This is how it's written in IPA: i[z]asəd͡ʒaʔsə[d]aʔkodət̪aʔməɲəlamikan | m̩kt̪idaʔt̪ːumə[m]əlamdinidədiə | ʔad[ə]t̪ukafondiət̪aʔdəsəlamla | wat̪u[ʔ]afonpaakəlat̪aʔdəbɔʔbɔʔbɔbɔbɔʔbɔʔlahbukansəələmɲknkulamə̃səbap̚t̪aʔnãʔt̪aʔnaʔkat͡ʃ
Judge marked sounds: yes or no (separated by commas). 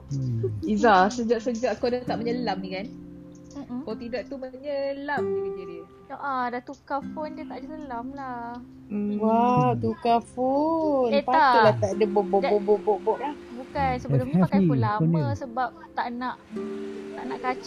yes, no, no, no, no